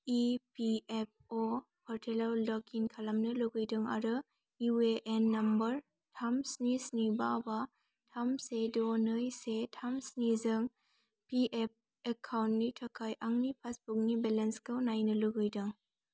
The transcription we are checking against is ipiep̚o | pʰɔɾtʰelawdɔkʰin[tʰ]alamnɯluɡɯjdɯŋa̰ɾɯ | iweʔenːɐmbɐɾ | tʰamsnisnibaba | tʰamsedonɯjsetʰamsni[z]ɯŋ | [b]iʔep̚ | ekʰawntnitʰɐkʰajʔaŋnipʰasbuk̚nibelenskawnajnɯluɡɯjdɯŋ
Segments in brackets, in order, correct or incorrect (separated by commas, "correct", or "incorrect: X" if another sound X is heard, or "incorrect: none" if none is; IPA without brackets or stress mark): incorrect: kʰ, correct, incorrect: p